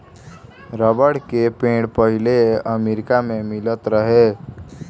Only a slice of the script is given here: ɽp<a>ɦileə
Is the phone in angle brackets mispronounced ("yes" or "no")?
yes